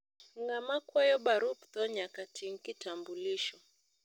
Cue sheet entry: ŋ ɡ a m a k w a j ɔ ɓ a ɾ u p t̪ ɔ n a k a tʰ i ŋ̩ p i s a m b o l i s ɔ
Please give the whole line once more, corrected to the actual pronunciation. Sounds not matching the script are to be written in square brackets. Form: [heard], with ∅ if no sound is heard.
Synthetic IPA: ŋ ɡ a m a k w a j ɔ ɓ a ɾ u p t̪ ɔ [ɲ] a k a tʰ i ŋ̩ [k] i [t] a m b [u] l i [ʃ] ɔ